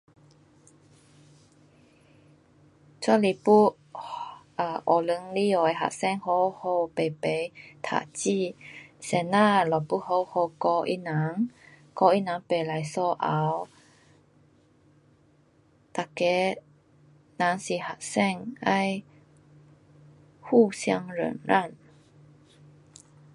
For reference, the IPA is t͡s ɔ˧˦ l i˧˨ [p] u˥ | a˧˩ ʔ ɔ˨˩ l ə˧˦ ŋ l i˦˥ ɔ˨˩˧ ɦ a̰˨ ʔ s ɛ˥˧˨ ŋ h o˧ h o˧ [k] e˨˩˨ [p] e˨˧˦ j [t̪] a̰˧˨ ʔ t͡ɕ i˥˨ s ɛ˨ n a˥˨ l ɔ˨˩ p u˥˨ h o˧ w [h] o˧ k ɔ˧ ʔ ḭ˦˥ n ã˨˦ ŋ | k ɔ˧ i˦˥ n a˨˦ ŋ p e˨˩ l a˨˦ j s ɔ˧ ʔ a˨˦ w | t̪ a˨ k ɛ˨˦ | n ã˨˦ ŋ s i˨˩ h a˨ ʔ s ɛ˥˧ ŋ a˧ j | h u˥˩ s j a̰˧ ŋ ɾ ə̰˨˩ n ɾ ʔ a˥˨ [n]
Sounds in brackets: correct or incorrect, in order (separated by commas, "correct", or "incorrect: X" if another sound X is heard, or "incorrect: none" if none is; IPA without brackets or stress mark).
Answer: correct, incorrect: p, correct, incorrect: t̪ʰ, correct, correct